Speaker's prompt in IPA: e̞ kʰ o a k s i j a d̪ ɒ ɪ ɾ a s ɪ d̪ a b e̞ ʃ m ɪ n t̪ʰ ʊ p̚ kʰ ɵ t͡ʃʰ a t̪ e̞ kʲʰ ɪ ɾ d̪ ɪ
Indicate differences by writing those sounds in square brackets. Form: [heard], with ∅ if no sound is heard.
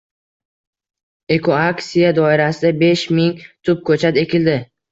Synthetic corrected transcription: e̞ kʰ o a k s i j a d̪ ɒ ɪ ɾ a s ɪ d̪ a b e̞ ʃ m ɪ [ŋ] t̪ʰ ʊ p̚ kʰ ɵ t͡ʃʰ a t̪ e̞ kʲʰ ɪ [l] d̪ ɪ